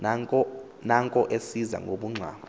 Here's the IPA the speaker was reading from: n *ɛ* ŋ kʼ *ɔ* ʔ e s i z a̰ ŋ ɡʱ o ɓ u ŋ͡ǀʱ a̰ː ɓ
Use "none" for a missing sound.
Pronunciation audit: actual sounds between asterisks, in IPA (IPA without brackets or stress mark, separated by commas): a, ɔ